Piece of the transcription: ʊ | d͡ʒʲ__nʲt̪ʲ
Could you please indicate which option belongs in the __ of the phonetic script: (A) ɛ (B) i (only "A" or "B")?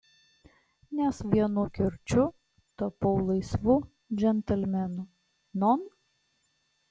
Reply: A